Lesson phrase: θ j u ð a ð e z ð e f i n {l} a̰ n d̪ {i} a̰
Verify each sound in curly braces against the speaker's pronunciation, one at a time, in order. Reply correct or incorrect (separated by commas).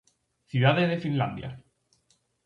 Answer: correct, incorrect